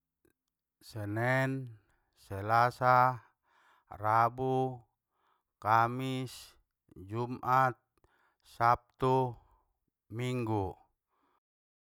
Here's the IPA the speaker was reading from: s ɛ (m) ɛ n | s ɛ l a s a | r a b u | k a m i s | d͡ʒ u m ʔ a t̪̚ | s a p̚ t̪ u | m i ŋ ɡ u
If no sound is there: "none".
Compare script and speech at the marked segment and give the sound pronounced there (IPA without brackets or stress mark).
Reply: n